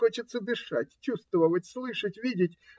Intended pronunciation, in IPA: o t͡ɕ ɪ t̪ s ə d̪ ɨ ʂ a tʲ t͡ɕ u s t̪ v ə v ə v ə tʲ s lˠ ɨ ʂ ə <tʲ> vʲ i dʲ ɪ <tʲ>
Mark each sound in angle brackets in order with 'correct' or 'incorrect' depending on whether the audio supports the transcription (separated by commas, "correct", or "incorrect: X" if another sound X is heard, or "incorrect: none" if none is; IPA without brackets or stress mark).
correct, correct